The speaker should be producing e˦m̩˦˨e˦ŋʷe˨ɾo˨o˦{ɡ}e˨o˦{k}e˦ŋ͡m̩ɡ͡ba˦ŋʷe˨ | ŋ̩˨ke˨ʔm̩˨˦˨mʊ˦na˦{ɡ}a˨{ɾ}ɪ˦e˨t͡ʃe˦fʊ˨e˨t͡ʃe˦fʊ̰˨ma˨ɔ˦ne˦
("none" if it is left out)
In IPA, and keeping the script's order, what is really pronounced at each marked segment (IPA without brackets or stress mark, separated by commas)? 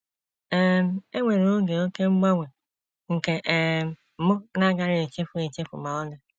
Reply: ɡ, k, ɡ, ɾ